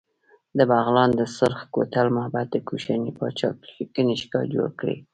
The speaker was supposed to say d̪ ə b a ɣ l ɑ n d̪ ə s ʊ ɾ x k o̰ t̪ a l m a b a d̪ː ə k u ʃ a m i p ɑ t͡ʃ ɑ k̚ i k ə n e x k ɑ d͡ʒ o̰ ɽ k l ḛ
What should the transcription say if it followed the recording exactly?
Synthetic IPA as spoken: d̪ ə b a ɣ l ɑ n d̪ ə s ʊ ɾ x k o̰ t̪ a l m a b a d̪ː ə k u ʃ a n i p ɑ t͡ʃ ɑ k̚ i k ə n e ʃ k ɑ d͡ʒ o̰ ɽ k ɽ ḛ